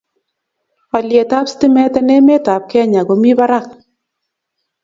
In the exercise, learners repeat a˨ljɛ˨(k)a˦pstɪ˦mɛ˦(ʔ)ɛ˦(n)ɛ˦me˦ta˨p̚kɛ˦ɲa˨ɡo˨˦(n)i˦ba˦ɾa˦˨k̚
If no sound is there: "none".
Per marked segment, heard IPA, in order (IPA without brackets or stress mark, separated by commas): t, t, n, m